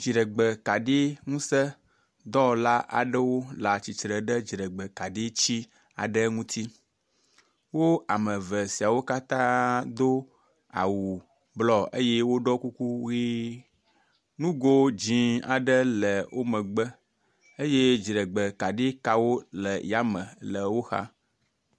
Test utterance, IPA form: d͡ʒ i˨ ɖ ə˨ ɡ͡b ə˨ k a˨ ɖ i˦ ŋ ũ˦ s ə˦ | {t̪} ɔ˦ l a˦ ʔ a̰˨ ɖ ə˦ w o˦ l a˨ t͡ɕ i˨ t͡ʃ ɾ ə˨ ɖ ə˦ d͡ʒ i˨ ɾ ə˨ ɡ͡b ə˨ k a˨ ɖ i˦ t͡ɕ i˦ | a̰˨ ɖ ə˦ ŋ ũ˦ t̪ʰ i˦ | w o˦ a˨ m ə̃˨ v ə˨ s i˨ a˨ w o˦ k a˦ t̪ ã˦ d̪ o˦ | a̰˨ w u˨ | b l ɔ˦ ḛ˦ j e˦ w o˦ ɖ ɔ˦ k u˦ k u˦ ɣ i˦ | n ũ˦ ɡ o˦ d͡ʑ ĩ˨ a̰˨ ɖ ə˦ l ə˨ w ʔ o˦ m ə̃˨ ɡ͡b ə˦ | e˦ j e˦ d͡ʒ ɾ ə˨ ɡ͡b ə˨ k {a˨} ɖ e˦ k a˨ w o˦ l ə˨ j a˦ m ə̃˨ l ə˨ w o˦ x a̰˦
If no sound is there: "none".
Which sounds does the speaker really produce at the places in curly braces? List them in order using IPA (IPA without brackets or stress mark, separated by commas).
d̪, a˨